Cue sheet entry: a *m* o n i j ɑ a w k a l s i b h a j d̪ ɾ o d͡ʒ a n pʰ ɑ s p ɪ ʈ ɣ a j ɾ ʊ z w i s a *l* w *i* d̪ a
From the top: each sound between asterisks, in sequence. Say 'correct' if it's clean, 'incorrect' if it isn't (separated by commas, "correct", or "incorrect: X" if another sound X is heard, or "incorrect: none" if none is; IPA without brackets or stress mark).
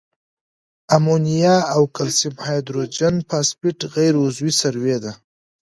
correct, incorrect: ɾ, incorrect: e